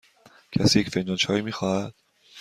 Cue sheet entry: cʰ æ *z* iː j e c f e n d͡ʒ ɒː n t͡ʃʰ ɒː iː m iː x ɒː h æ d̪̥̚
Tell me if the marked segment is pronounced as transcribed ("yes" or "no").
no